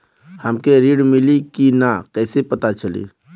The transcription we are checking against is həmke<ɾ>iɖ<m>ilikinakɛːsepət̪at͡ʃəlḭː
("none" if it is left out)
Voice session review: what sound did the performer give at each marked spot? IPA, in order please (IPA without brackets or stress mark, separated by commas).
ɾ, m